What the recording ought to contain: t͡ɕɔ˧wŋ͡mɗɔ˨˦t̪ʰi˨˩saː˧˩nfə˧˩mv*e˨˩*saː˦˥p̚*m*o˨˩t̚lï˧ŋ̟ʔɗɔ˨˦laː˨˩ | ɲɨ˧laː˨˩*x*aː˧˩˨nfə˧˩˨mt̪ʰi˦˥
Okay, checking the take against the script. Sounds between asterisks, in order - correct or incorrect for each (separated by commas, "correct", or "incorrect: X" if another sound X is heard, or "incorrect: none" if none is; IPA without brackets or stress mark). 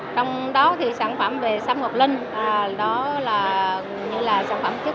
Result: correct, incorrect: ŋ, incorrect: s